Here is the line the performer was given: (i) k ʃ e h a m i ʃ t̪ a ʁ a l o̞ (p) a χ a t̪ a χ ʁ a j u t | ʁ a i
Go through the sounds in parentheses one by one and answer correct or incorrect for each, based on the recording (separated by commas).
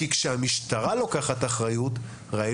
correct, incorrect